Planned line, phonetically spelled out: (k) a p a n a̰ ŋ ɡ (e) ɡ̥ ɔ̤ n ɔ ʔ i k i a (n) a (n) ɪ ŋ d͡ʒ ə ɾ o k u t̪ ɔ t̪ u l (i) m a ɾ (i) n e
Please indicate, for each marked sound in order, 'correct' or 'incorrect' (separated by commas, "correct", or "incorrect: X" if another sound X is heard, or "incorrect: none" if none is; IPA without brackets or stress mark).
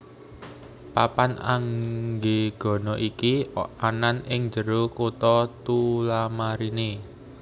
incorrect: p, correct, correct, correct, incorrect: a, correct